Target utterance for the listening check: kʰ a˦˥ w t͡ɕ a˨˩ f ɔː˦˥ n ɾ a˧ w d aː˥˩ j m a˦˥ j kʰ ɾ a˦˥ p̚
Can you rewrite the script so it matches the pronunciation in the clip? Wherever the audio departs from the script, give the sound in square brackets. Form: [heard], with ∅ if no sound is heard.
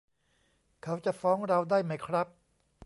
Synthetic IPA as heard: kʰ a˦˥ w t͡ɕ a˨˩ f ɔː˦˥ [ŋ] ɾ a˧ w d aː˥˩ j m a˦˥ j kʰ ɾ a˦˥ p̚